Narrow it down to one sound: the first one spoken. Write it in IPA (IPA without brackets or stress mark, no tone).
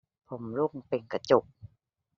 pʰ